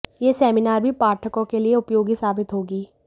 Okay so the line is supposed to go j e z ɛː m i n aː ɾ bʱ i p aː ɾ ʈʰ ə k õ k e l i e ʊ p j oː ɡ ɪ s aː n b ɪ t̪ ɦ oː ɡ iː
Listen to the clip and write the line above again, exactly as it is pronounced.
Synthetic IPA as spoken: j e s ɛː m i n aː ɾ bʱ i p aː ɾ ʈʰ ə k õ k e l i e ʊ p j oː ɡ i s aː b ɪ t̪ ɦ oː ɡ iː